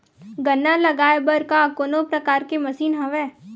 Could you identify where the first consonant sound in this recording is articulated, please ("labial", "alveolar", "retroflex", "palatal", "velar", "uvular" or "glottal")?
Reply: velar